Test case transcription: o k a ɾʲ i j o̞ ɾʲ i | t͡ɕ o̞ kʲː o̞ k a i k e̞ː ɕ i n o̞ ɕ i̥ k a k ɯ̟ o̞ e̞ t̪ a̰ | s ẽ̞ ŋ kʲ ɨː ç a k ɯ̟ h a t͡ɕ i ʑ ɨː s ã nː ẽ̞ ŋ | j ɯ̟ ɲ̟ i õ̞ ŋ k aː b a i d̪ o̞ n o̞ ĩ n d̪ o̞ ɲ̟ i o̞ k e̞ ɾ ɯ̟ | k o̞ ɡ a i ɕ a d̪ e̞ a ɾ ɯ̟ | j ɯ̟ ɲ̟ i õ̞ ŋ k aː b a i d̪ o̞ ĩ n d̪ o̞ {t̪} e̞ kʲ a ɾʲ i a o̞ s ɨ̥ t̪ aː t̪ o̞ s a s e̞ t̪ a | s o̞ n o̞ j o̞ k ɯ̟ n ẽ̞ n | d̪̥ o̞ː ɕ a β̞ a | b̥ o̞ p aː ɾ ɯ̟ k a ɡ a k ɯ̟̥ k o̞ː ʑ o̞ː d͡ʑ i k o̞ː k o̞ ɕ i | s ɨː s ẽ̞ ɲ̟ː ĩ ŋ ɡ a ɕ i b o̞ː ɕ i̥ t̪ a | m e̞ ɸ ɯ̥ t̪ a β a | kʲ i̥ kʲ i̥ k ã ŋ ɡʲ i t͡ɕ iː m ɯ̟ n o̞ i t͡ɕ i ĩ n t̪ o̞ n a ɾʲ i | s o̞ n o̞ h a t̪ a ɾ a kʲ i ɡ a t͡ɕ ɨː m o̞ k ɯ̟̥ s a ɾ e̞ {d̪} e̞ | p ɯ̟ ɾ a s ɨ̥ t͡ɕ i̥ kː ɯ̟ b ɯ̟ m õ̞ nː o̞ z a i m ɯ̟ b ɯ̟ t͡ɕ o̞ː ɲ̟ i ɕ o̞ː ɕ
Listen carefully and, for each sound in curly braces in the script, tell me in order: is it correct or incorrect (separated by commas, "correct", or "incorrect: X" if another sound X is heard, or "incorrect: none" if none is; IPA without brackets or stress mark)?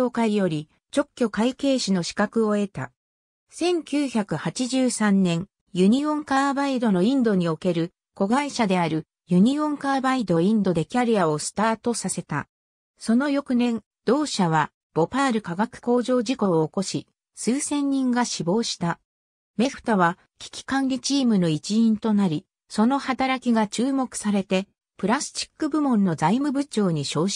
incorrect: d̪, incorrect: t̪